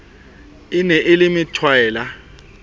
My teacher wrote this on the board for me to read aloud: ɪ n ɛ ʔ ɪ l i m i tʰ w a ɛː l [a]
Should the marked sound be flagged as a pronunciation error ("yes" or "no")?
no